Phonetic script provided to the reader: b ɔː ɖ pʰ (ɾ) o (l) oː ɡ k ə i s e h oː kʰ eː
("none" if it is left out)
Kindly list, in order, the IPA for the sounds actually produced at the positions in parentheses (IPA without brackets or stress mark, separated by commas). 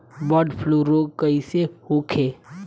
l, ɾ